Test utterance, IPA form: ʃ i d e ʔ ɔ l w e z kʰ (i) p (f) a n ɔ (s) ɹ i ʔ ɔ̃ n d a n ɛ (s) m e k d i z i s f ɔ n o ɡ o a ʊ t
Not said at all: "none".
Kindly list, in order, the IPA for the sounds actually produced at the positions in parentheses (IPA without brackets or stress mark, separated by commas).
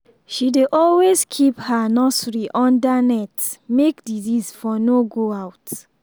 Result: i, h, s, t